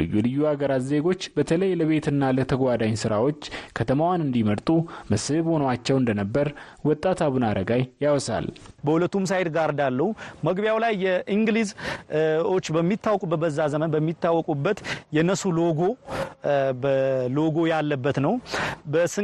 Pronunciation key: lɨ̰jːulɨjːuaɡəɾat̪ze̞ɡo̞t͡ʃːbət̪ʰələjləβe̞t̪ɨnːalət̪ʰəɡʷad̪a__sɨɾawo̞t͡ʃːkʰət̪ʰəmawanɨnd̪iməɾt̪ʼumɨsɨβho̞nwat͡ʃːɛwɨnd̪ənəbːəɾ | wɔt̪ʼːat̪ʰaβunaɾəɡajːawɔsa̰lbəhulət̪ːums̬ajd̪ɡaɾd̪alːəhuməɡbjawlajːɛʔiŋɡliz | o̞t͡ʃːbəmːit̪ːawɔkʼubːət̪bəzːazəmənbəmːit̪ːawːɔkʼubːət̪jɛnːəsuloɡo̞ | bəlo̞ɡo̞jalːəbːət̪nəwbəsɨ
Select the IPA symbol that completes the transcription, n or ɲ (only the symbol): ɲ